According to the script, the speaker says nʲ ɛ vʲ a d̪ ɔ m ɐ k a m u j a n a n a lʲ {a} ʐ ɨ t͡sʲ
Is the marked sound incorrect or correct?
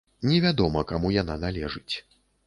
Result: incorrect